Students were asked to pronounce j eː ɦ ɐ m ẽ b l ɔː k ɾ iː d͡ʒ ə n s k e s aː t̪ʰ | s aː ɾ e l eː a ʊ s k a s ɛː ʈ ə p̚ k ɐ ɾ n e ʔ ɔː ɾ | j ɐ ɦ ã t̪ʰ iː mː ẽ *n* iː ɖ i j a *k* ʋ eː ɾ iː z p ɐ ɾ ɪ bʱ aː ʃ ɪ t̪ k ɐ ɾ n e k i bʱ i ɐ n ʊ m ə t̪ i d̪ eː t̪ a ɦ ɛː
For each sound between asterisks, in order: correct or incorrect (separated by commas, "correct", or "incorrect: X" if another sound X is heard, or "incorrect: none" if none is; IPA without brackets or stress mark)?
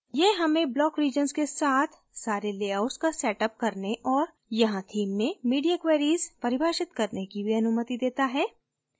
incorrect: m, correct